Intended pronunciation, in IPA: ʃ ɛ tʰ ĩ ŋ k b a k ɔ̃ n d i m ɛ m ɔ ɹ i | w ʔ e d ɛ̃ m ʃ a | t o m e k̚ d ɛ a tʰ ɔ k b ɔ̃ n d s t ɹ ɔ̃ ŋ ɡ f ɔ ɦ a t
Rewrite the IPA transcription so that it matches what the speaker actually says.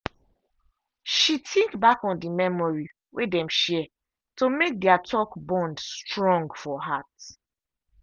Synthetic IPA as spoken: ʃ i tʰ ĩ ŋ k b a k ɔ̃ n d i m ɛ m ɔ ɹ i | w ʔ e d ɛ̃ m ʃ ɛ | t o m e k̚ d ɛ a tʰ ɔ k b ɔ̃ n d s t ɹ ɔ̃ ŋ ɡ f ɔ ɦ a t